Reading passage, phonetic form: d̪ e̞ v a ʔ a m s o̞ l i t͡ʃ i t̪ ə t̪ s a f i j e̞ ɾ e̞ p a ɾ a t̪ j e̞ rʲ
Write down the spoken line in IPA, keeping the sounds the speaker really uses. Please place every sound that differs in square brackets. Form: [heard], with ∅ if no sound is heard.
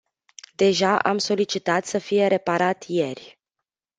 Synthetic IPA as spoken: d̪ e̞ [ʒ] a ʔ a m s o̞ l i t͡ʃ i t̪ [a] t̪ s [ə] f i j e̞ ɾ e̞ p a ɾ a t̪ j e̞ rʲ